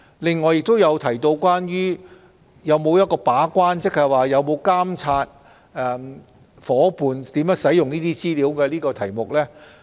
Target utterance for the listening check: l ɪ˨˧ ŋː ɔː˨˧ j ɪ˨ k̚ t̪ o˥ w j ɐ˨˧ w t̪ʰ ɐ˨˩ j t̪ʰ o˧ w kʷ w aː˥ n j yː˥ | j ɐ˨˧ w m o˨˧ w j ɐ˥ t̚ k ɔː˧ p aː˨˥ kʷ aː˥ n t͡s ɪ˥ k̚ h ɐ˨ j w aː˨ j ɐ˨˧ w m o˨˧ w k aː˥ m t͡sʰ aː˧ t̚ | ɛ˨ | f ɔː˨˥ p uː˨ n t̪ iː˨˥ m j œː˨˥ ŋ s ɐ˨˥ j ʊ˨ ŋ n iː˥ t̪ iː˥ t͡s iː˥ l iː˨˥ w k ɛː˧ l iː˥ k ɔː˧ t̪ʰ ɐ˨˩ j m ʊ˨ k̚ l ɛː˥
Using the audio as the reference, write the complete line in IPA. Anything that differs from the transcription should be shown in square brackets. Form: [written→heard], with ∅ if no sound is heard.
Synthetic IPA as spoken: l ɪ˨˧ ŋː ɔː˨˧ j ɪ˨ k̚ t̪ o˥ w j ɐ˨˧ w t̪ʰ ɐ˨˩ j [t̪ʰ→t̪] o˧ w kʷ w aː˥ n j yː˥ | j ɐ˨˧ w m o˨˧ w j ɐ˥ t̚ k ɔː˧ p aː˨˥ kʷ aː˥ n t͡s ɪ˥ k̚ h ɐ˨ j w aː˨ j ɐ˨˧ w m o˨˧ w k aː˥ m t͡sʰ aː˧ t̚ | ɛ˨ | f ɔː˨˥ p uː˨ n t̪ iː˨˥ m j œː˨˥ ŋ s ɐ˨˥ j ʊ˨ ŋ n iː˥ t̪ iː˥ t͡s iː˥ l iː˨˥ w k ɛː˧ l iː˥ k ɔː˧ t̪ʰ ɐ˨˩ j m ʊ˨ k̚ l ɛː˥